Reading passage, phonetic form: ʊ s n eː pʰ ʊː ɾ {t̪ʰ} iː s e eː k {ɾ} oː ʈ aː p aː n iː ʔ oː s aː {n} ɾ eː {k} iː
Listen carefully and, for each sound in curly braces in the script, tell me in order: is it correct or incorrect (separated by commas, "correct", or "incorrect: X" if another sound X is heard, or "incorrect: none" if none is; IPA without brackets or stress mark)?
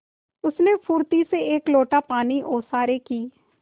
incorrect: t̪, incorrect: l, incorrect: none, correct